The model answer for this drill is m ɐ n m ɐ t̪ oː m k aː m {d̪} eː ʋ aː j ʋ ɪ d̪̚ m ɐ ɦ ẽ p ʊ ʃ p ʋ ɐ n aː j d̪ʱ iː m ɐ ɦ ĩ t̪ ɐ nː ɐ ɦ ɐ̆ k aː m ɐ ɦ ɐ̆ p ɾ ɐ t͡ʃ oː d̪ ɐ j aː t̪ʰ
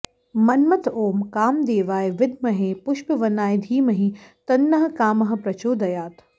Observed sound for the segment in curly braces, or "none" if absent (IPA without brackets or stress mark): d̪